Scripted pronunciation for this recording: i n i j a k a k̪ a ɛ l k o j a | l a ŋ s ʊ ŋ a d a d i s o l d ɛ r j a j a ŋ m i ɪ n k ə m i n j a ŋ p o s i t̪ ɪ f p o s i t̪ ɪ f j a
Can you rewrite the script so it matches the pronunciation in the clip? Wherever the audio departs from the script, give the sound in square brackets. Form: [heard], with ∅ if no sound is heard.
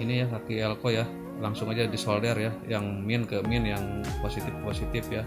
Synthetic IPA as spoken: i n i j a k a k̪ [i] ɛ l k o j a | l a ŋ s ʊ ŋ a [d͡ʒ] a d i s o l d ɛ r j a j a ŋ m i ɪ n k ə m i n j a ŋ p o s i t̪ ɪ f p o s i t̪ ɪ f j a

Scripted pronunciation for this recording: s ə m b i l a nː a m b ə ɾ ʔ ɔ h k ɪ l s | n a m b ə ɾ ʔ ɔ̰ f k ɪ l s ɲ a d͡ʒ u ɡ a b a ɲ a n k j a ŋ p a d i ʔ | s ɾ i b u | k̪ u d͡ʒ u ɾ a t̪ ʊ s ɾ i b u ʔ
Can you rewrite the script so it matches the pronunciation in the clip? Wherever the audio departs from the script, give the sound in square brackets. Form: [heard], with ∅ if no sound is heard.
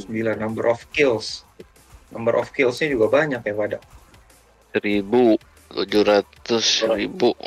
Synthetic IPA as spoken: s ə m b i l a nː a m b ə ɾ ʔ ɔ [f] k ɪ l s | n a m b ə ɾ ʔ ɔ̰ f k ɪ l s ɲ a d͡ʒ u ɡ a b a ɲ a [∅] k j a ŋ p a d [a] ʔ | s ɾ i b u | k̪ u d͡ʒ u ɾ a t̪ ʊ s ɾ i b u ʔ

